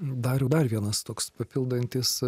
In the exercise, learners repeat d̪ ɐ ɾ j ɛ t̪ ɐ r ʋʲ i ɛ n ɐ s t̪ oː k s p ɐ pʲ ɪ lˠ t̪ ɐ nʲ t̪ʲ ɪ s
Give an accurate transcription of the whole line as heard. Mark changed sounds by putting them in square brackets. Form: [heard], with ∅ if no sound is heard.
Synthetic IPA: d̪ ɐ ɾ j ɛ [d̪] ɐ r ʋʲ i ɛ n ɐ s t̪ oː k s p ɐ pʲ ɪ lˠ [d̪] ɐ nʲ t̪ʲ ɪ s